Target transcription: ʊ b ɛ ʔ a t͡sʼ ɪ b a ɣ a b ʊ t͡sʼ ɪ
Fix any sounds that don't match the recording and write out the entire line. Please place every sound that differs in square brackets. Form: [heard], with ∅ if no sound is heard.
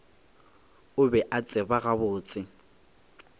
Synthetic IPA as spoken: ʊ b ɛ ʔ a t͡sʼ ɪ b a ɣ a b [ʊː] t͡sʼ ɪ